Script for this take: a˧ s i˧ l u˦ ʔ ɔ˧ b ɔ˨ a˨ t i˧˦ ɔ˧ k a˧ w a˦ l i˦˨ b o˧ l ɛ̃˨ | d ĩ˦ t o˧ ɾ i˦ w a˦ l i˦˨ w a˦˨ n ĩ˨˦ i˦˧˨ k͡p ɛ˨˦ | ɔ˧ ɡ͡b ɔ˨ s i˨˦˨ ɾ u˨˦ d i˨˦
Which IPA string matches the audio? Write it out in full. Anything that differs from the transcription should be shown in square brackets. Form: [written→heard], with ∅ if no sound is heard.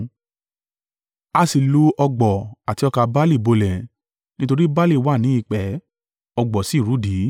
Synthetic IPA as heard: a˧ s i˧ l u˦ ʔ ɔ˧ [b→ɡ͡b] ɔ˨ a˨ t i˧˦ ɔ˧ k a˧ [w→b] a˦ l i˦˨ b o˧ l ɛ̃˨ | [d→n] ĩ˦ t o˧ ɾ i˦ [w→b] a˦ l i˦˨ w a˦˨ n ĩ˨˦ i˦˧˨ k͡p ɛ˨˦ | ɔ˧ ɡ͡b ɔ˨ s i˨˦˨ ɾ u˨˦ d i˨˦